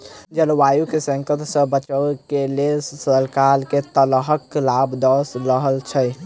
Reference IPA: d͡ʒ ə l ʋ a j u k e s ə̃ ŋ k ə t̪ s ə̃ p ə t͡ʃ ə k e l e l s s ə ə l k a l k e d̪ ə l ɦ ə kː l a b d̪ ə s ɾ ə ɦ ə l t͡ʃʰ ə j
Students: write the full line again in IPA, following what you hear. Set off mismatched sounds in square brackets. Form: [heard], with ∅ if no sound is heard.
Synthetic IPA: d͡ʒ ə l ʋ a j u k e s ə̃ ŋ k ə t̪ s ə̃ [b] ə t͡ʃ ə k e l e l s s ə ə l k a l k e [t̪] ə l ɦ ə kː l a b d̪ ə s ɾ ə ɦ ə l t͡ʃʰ ə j